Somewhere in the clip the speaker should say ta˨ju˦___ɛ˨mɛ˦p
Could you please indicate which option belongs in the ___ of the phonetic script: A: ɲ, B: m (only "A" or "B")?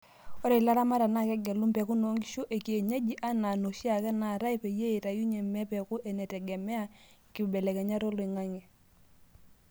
A